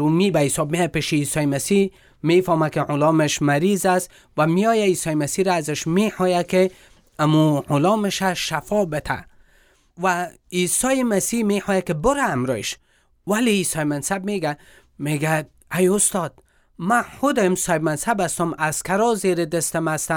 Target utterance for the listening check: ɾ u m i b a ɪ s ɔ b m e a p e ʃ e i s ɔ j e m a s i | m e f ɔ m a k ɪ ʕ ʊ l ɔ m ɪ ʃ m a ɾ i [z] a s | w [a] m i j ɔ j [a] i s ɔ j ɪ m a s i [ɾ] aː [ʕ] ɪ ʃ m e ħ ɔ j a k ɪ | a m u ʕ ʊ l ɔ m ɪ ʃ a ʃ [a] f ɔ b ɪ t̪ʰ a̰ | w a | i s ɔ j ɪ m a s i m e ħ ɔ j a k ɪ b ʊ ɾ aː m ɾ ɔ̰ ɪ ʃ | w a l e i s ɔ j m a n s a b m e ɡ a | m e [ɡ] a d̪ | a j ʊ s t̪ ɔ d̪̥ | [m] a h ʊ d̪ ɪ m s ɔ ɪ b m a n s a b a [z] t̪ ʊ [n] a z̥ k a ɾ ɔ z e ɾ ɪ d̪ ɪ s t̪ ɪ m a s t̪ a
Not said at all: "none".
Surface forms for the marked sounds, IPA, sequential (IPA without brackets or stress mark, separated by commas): z, a, a, ɾ, z, a, ɡ, m, s, m